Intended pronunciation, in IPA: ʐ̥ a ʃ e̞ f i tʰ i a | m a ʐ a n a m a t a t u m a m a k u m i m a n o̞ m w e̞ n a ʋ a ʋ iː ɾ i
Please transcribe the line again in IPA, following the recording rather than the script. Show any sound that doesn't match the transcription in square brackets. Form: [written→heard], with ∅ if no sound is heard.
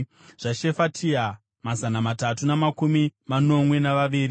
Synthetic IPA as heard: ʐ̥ a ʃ e̞ f [i→a] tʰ i a | m a [ʐ→z] a n a m a t a t u [m→n] a m a k u m i m a n o̞ m w e̞ n a ʋ a ʋ iː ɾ i

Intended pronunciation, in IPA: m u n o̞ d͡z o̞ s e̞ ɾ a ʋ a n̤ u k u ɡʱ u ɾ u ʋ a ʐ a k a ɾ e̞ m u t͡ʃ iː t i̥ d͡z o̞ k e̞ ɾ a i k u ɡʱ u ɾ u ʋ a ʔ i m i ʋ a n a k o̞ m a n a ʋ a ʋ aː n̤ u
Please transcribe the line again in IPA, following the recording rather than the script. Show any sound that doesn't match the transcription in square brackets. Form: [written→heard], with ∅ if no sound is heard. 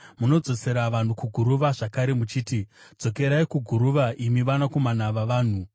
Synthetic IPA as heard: m u n o̞ d͡z o̞ s e̞ ɾ a ʋ a n̤ u k u ɡʱ u ɾ u ʋ a ʐ a k a ɾ e̞ m u t͡ʃ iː t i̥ d͡z o̞ k e̞ ɾ a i k u ɡʱ u ɾ u ʋ a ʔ i m i ʋ a n a k o̞ m a n a ʋ a ʋ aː n̤ u

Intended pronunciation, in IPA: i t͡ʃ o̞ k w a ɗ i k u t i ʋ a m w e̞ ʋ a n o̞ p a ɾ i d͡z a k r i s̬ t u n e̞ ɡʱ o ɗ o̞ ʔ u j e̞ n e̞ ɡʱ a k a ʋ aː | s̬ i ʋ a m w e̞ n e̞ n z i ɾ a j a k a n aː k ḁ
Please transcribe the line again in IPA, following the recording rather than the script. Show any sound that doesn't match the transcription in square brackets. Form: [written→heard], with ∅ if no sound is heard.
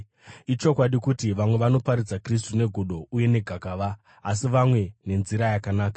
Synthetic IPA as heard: i t͡ʃ o̞ k w a ɗ i k u t i ʋ a m w e̞ ʋ a n o̞ p a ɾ i d͡z a k r i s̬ t u n e̞ ɡʱ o ɗ o̞ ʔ u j e̞ n e̞ ɡʱ a k a ʋ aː | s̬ i ʋ a m w e̞ n e̞ n z i ɾ a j a k a n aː k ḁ

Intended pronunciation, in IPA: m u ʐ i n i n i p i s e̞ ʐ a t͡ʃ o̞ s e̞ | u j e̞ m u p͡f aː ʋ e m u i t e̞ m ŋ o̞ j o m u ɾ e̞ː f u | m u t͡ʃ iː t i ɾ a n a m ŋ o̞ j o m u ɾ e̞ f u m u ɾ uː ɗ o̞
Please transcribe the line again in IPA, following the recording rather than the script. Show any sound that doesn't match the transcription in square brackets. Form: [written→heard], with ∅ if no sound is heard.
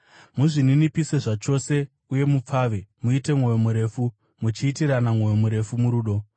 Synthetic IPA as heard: m u ʐ i n i n i p i s e̞ ʐ a t͡ʃ o̞ s e̞ | u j e̞ m u p͡f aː ʋ e m u i t e̞ m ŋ o̞ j o m u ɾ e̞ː f u | m u t͡ʃ iː t i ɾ a n a m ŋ o̞ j o m u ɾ e̞ f u m u ɾ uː ɗ o̞

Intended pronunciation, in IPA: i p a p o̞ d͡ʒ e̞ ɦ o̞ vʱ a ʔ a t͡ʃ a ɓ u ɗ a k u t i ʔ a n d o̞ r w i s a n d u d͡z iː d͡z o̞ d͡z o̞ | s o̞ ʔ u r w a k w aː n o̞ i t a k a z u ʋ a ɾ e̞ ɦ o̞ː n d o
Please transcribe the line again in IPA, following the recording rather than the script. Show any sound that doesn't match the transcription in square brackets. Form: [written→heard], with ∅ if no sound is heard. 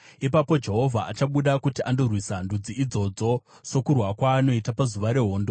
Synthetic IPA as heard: i p a p o̞ d͡ʒ e̞ ɦ o̞ vʱ a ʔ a t͡ʃ a ɓ u ɗ a k u t i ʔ a n d o̞ r w i s a n d u d͡z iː d͡z o̞ d͡z o̞ | s o̞ [ʔ→k] u r w a k w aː n o̞ i t a [k→p] a z u ʋ a ɾ e̞ ɦ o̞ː n d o

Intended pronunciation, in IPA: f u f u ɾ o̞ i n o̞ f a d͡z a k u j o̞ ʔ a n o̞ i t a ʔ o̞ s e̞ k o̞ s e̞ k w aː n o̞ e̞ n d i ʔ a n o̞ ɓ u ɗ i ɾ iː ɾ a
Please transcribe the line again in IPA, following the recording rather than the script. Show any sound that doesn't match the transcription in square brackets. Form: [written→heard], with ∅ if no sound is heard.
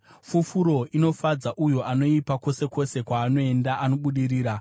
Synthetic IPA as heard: f u f u ɾ o̞ i n o̞ f a d͡z a [k→ʔ] u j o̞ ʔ a n o̞ i [t→p] a [ʔ→k] o̞ s e̞ k o̞ s e̞ k w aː n o̞ e̞ n d [i→a] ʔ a n o̞ ɓ u ɗ i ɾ iː ɾ a

